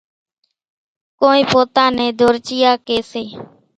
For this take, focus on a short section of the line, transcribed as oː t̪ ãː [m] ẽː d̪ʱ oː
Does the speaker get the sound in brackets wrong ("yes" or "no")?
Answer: yes